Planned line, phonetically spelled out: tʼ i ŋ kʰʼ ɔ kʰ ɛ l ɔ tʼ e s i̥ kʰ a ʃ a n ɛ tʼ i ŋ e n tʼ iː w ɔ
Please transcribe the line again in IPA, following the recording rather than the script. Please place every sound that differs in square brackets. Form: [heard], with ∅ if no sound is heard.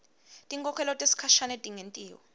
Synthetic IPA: tʼ i ŋ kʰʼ ɔ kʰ ɛ l ɔ tʼ e s i̥ kʰ a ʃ a n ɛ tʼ i ŋ e n tʼ iː w ɔ